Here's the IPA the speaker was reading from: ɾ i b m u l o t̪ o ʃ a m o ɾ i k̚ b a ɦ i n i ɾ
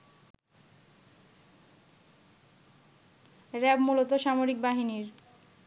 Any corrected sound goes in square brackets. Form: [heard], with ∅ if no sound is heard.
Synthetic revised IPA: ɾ [ɛ] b m u l o t̪ o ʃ a m o ɾ i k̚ b a ɦ i n i ɾ